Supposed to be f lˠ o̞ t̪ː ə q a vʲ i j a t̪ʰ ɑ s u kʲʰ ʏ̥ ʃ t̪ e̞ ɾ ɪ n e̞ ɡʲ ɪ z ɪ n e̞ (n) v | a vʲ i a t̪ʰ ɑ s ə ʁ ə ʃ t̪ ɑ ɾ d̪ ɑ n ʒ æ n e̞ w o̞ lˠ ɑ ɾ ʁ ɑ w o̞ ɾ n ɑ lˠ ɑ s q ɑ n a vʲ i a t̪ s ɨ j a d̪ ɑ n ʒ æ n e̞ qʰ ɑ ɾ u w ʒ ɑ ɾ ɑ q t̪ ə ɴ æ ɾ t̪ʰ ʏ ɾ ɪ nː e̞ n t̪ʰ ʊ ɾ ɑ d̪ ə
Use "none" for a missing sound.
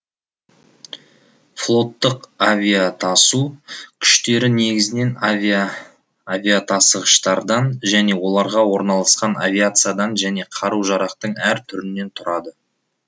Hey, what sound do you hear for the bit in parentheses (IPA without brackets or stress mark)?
n